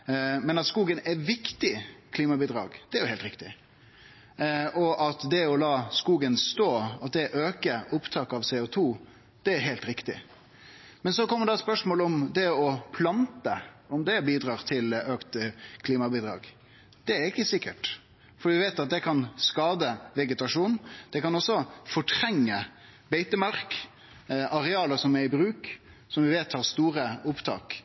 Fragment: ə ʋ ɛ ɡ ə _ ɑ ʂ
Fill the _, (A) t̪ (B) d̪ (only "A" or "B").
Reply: A